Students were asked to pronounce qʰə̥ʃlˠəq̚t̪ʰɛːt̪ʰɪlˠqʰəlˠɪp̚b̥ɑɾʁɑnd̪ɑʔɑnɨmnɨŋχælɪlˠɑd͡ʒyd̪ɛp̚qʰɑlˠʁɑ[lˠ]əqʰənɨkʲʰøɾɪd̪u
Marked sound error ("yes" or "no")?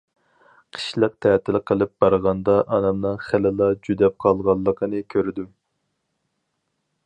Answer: yes